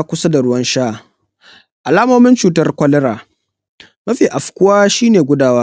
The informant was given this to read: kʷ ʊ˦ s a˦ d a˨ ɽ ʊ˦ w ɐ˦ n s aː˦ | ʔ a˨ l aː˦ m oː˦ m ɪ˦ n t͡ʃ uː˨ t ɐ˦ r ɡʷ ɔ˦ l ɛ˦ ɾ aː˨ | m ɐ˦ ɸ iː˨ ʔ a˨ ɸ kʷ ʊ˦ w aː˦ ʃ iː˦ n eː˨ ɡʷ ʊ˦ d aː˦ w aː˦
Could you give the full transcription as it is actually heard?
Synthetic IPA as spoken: kʷ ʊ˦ s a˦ d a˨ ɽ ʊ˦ w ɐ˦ n ʃ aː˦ | ʔ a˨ l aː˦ m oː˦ m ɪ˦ n t͡ʃ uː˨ t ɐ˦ r kʷ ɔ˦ l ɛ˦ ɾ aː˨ | m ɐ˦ ɸ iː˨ ʔ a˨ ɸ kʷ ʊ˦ w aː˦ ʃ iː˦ n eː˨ ɡʷ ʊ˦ d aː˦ w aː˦